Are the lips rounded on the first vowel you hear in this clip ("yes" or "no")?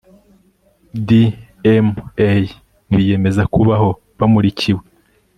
no